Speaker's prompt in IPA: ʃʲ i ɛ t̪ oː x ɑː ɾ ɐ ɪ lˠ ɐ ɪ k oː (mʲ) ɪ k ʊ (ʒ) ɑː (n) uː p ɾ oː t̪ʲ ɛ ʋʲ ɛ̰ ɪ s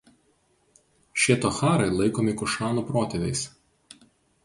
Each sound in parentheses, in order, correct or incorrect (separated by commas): correct, incorrect, correct